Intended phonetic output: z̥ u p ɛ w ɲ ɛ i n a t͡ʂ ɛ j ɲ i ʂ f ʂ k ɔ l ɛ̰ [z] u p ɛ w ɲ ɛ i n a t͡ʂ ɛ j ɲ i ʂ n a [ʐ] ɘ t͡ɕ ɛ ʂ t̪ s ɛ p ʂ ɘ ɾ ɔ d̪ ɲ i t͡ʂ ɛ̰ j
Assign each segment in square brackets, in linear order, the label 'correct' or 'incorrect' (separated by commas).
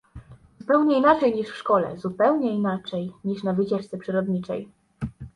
correct, incorrect